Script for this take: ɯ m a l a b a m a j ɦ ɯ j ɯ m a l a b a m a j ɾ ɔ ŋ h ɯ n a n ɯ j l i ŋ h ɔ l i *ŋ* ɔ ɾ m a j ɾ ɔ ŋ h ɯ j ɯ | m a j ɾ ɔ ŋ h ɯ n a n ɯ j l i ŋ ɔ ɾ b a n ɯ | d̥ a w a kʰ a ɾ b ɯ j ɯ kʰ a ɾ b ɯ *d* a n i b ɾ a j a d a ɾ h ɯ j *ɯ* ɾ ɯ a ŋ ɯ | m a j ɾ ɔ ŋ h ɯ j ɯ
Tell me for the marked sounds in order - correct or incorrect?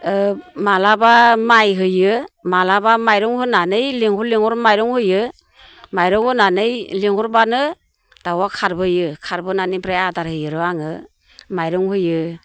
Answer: correct, incorrect: n, correct

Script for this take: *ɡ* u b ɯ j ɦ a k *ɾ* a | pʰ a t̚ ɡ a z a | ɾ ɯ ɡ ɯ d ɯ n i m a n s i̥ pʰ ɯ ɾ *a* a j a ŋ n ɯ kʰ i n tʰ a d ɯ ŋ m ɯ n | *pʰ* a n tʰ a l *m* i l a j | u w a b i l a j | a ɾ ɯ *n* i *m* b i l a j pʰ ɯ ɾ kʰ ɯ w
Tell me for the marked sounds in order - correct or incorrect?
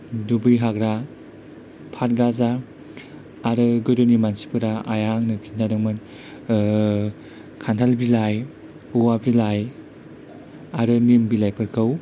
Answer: incorrect: d, correct, correct, incorrect: kʰ, incorrect: b, correct, correct

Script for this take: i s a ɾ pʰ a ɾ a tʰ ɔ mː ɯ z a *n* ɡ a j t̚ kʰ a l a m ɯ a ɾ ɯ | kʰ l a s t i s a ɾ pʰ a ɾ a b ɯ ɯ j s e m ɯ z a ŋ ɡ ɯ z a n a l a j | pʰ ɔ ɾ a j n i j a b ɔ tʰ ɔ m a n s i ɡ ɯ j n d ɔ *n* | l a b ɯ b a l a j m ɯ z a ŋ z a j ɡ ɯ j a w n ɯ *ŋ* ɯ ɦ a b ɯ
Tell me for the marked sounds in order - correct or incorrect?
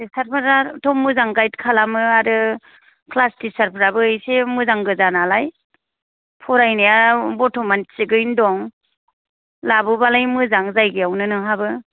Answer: incorrect: ŋ, incorrect: ŋ, incorrect: n

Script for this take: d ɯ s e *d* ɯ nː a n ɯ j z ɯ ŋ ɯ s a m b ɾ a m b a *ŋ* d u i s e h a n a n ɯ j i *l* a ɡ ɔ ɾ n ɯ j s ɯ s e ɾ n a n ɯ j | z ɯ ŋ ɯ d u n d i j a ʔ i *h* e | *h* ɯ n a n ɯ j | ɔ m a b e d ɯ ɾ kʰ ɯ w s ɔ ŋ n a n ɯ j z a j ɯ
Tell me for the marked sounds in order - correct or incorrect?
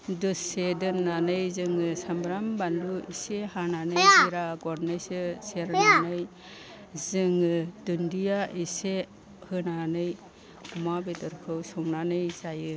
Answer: correct, incorrect: n, incorrect: ɾ, incorrect: s, correct

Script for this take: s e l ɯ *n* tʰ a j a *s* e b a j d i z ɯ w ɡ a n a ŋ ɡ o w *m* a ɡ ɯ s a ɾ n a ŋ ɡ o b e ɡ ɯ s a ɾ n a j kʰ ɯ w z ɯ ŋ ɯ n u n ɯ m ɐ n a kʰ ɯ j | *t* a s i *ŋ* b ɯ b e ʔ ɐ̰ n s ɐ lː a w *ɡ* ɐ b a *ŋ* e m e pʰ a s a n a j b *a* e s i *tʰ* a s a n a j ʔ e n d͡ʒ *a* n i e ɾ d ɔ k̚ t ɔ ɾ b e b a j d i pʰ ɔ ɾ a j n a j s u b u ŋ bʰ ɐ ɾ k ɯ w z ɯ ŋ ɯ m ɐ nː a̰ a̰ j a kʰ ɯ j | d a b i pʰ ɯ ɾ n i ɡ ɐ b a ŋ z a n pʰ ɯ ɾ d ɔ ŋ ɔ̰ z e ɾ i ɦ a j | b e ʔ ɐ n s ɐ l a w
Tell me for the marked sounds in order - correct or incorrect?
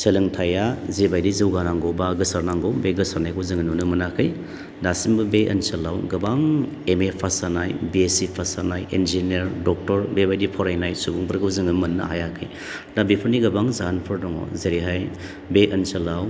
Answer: incorrect: ŋ, incorrect: z, incorrect: b, incorrect: d, incorrect: m, correct, correct, incorrect: i, incorrect: pʰ, incorrect: i

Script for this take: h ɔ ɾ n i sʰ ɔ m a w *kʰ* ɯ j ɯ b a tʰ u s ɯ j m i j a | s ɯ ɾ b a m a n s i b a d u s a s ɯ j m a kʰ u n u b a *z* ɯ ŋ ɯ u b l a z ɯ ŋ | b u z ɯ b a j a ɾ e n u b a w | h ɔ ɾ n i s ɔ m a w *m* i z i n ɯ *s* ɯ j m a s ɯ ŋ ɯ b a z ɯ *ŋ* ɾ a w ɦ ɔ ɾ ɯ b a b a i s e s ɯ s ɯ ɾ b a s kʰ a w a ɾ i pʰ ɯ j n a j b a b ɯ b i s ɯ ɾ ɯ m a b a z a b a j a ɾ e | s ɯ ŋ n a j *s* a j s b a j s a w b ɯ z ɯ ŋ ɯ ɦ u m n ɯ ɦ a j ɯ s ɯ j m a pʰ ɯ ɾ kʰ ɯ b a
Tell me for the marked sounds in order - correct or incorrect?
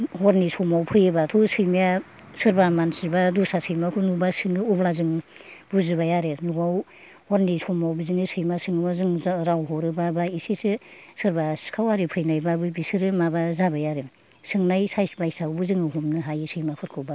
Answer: incorrect: pʰ, incorrect: s, incorrect: b, correct, correct, correct

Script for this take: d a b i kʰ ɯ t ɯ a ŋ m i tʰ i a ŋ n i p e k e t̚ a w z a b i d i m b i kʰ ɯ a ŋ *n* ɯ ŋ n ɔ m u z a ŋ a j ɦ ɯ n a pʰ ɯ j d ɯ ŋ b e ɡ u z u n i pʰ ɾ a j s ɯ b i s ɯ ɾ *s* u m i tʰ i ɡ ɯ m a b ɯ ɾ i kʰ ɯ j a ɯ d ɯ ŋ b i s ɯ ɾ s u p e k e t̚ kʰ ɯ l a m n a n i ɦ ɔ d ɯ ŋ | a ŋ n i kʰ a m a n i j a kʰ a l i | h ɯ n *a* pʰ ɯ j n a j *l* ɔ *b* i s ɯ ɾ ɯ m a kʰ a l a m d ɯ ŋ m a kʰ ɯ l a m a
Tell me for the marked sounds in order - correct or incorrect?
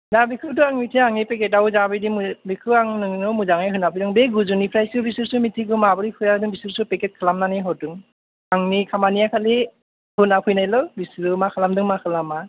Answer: correct, correct, correct, correct, correct

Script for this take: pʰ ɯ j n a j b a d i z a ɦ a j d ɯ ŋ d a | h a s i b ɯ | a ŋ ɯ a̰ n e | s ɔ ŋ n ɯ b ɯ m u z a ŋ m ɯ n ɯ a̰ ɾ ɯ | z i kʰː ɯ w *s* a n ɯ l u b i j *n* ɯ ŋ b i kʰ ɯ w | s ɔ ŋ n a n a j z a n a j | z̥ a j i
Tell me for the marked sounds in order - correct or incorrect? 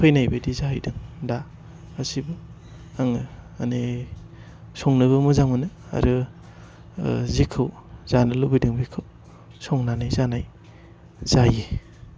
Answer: incorrect: z, incorrect: d

